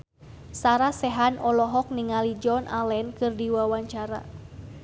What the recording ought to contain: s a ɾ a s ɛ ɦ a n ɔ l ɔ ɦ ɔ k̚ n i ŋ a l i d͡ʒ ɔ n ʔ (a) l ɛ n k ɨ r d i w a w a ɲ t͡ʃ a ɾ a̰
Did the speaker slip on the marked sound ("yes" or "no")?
no